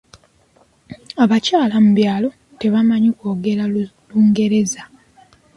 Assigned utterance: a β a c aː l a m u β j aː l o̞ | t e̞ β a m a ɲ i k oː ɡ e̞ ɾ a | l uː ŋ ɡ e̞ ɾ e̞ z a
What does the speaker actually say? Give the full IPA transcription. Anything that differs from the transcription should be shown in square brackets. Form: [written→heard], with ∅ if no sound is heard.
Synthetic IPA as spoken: a β a c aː l a m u β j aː l o̞ | t e̞ β a m a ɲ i k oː ɡ e̞ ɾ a | l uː ŋ ɡ e̞ ɾ e̞ z a